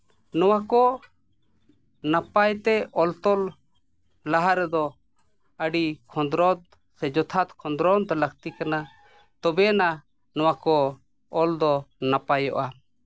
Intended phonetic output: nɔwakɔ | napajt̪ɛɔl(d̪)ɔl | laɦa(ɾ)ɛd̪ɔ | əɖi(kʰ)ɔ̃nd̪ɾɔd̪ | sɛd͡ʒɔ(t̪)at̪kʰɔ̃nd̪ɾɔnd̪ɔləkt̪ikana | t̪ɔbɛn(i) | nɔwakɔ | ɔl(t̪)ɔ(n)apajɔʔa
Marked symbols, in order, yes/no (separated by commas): no, yes, yes, no, no, no, yes